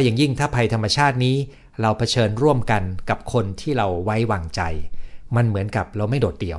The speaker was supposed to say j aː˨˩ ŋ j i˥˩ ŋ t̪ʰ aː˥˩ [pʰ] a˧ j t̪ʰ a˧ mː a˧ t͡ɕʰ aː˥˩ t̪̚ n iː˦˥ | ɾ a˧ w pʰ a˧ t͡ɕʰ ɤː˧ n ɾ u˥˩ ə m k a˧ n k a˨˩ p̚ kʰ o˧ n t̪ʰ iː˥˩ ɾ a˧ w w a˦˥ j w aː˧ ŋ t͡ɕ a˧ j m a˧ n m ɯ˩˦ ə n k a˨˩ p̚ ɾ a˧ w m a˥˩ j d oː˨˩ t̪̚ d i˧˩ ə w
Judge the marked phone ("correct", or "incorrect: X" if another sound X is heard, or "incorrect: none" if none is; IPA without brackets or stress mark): correct